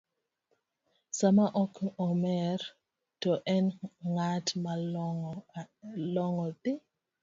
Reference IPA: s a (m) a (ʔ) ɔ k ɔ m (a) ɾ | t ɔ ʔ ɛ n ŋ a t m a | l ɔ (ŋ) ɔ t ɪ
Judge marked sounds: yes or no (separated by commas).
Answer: yes, yes, no, yes